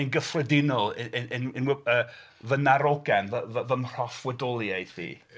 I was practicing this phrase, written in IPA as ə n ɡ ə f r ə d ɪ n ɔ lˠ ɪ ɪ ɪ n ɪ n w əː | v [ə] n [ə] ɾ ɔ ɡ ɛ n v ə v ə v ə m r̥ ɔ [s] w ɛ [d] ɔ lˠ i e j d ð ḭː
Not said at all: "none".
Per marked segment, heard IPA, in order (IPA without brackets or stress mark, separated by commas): ə, a, f, d